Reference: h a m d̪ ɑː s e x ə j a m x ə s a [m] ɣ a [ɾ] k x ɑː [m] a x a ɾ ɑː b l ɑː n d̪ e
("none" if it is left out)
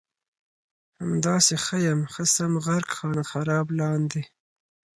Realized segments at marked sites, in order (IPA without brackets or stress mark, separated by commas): m, ɾ, n